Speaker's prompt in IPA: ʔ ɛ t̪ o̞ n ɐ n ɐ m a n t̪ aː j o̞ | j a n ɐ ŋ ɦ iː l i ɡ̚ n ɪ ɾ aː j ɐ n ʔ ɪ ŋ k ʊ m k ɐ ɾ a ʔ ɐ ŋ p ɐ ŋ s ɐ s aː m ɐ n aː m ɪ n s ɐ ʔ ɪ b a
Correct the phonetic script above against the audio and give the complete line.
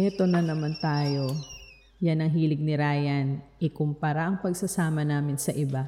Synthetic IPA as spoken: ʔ ɛ t̪ o̞ n ɐ n ɐ m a n t̪ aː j o̞ | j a n ɐ ŋ ɦ iː l ɪ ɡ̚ n ɪ ɾ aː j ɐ n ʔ ɪ k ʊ m p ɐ ɾ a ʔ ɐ ŋ p ɐ ɡ s ɐ s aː m ɐ n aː m ɪ n s ɐ ʔ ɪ b a